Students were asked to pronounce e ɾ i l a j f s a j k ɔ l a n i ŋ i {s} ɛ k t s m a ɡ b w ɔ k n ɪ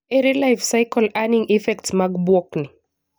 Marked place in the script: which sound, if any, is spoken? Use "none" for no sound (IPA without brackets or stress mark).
f